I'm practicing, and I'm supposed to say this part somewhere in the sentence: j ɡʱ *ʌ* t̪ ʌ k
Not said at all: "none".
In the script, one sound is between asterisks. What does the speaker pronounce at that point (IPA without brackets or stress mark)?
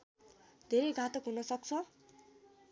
a